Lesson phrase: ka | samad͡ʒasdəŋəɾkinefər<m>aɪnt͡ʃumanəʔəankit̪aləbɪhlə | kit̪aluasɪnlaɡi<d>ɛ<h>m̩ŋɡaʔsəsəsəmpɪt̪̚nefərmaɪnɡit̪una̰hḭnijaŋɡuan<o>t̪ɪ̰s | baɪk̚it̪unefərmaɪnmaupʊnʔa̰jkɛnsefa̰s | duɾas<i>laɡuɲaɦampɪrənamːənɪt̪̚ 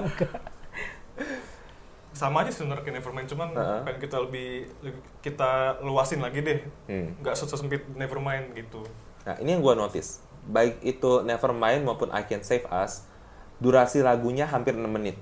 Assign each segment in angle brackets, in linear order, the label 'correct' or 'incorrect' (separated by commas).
correct, correct, correct, correct, correct